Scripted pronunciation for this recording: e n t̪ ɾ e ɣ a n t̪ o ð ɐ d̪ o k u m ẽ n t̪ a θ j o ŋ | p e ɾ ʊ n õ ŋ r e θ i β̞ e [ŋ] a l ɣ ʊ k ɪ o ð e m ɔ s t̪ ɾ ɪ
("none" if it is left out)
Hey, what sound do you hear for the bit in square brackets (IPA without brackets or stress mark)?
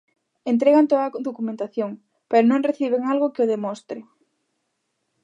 ŋ